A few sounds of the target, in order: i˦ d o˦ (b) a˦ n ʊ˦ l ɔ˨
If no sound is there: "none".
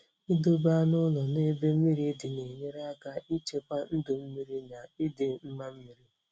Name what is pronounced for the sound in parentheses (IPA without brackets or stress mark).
b